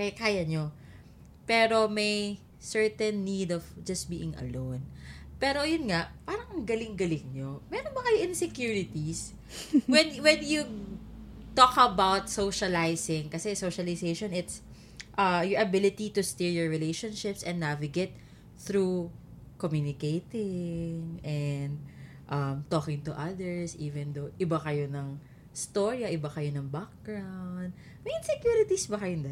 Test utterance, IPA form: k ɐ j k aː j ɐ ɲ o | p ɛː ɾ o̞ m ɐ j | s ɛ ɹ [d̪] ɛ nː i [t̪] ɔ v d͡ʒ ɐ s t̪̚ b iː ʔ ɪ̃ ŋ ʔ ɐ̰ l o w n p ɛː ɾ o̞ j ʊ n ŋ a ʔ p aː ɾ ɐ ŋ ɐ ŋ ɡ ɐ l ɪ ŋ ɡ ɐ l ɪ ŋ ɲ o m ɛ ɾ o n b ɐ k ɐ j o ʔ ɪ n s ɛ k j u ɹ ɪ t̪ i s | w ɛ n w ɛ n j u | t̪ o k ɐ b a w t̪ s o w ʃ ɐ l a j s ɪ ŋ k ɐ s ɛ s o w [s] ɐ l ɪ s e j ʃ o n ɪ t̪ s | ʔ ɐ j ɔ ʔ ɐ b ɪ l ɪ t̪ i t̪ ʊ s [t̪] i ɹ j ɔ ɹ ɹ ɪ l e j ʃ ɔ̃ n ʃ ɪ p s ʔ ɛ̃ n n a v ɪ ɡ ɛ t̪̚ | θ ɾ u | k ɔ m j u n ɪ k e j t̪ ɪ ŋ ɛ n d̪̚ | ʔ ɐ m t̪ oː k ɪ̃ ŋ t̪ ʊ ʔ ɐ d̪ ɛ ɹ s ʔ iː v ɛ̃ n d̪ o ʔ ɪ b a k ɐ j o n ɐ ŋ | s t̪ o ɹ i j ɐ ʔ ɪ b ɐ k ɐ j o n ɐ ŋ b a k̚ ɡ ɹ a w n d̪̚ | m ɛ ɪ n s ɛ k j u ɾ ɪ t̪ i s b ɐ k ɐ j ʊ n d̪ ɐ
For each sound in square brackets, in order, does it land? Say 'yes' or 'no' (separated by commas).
no, no, no, yes